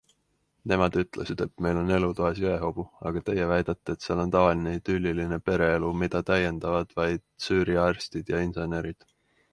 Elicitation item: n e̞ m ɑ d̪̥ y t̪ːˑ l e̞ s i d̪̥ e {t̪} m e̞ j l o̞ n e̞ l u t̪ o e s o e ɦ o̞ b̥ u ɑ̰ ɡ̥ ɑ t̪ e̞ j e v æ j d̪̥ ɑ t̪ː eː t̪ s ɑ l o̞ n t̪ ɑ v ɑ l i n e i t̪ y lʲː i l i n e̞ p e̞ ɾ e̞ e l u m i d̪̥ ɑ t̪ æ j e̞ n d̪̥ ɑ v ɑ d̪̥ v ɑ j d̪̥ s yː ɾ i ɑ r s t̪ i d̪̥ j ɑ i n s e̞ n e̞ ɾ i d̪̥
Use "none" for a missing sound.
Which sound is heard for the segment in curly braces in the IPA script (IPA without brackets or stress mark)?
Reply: t̪